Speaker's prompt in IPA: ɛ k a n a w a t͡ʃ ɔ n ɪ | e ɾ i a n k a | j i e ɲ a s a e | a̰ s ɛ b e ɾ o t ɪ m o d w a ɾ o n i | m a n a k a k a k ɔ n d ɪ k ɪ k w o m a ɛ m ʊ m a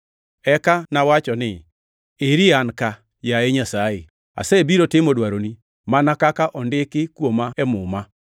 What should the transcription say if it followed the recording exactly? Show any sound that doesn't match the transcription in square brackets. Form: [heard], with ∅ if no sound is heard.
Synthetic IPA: ɛ k a n a w a t͡ʃ ɔ n ɪ | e ɾ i a n k a | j [a] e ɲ a s a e | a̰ s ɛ b [i] ɾ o t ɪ m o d w a ɾ o n i | m a n a k a k a [ʔ] ɔ n d ɪ k ɪ k w o m a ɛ m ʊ m a

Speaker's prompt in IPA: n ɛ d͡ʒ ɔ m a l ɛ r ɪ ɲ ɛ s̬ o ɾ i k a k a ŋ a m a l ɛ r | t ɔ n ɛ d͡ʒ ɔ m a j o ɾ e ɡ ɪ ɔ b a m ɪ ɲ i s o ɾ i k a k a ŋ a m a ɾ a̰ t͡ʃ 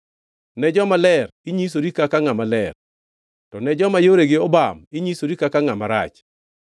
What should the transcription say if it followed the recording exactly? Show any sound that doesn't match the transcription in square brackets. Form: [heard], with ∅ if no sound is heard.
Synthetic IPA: n ɛ d͡ʒ ɔ m a l ɛ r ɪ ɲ [i] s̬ o ɾ i k a k a ŋ a m a l ɛ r | t ɔ n ɛ d͡ʒ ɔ m a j o ɾ e ɡ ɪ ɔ b a m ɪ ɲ i s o ɾ i k a k a ŋ a m a ɾ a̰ t͡ʃ

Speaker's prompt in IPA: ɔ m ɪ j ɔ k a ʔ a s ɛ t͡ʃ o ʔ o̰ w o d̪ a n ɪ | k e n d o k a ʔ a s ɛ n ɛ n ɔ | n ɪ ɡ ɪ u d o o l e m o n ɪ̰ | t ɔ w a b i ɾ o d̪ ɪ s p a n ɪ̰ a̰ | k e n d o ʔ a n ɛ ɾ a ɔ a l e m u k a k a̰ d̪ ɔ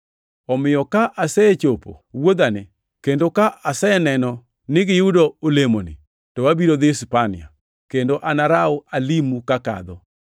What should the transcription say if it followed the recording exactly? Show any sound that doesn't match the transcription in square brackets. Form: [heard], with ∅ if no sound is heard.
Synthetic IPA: ɔ m ɪ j ɔ k a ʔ a s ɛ t͡ʃ o [p] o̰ w o d̪ a n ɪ | k e n d o k a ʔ a s ɛ n ɛ n ɔ | n ɪ ɡ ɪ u d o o l e m o n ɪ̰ | t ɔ w a b i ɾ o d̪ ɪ s p a n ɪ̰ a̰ | k e n d o ʔ a n [a] ɾ a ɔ a l [i] m u k a k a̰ d̪ ɔ

